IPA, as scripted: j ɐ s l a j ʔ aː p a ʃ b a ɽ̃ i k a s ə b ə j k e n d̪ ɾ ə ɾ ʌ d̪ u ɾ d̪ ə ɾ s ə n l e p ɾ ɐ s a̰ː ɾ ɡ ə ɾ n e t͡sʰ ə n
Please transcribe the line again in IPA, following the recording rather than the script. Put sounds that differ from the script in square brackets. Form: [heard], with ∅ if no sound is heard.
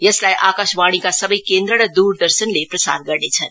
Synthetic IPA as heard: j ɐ s l a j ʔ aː [k] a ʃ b a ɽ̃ i k a s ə b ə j k e n d̪ ɾ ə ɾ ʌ d̪ u ɾ d̪ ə ɾ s ə n l e p ɾ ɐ s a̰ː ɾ ɡ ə ɾ n e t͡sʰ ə n